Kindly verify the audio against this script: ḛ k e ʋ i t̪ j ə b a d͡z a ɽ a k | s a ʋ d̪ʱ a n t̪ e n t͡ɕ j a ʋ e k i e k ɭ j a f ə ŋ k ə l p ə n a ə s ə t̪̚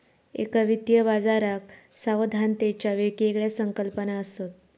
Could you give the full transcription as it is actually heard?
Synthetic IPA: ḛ k a ʋ i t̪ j ə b a d͡z a ɾ a k | s a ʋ d̪ʱ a n t̪ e t͡ɕ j a ʋ e k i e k ɭ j a s ə ŋ k ə l p ə n a ə s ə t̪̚